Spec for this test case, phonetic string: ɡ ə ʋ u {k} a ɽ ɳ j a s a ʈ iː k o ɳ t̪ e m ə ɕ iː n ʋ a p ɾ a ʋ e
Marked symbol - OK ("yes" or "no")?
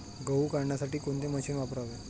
yes